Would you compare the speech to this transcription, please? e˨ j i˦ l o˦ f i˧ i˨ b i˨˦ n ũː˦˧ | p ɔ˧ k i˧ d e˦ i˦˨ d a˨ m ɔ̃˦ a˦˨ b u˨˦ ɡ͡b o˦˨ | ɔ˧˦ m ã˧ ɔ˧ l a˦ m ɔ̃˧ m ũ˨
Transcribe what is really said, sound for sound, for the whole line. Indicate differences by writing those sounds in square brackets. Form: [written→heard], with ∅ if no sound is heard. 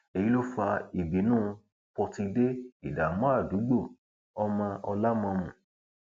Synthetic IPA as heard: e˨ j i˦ l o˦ f [i˧→a˧] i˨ b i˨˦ n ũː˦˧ | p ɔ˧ [k→t] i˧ d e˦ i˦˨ d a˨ m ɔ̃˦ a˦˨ [b→d] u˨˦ ɡ͡b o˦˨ | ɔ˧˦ m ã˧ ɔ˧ l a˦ m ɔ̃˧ m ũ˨

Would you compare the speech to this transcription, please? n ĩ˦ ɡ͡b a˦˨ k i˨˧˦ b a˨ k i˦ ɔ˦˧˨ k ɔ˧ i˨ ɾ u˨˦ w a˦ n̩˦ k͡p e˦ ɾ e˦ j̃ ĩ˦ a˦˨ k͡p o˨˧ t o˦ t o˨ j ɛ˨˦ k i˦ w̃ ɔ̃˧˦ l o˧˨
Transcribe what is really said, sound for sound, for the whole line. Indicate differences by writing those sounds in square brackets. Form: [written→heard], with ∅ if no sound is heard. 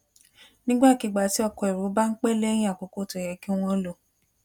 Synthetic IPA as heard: n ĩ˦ ɡ͡b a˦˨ k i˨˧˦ [b→ɡ͡b] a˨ [k→t] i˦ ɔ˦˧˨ k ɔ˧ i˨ ɾ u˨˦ [w→b] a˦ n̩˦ k͡p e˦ [ɾ→l] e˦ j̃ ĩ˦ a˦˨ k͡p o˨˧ [t→k] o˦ t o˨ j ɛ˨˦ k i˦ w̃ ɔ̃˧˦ l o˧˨

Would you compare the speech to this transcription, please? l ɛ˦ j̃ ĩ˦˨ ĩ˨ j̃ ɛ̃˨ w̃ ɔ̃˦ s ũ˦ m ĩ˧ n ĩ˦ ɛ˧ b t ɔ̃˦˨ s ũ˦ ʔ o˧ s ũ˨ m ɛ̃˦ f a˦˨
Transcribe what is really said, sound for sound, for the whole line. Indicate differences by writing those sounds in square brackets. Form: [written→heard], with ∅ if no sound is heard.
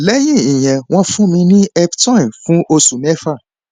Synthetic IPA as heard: l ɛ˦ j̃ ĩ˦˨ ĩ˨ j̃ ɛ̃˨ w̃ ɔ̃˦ [s→f] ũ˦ m ĩ˧ n ĩ˦ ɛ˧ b t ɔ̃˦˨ [s→f] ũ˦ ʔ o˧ s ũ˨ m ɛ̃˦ f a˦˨

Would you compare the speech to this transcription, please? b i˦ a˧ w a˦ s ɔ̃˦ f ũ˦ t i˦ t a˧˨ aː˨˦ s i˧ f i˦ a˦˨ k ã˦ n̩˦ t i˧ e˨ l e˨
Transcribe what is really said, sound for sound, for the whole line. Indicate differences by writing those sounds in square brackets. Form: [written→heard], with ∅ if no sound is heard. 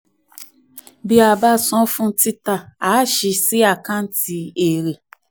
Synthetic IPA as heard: b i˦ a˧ [w→b] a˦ s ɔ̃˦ f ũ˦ t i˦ t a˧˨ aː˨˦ [s→ʃ] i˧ [f→s] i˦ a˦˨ k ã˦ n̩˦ t i˧ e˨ [l→ɾ] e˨

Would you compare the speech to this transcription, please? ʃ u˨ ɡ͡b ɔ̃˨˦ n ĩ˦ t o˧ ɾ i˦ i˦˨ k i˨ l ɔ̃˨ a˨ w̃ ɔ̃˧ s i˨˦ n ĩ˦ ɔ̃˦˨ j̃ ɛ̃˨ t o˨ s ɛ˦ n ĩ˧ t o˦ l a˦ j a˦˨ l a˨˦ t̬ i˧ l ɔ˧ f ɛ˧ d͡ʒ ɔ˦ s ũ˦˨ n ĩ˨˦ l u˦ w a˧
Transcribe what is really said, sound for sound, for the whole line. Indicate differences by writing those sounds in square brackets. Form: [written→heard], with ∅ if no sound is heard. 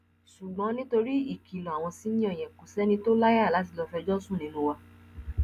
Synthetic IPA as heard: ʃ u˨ ɡ͡b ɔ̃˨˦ n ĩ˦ t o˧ ɾ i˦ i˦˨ k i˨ l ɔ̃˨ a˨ w̃ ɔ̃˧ s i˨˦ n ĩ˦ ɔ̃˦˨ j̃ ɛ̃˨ [t→k] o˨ s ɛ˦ n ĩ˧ t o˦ l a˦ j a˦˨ l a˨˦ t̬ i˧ l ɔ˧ f ɛ˧ d͡ʒ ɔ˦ s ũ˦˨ n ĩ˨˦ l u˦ w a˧

